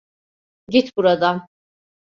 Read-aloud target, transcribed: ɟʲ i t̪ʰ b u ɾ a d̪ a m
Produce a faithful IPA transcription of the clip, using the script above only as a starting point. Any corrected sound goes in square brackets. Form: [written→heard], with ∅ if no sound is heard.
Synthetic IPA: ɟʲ i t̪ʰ b u ɾ a d̪ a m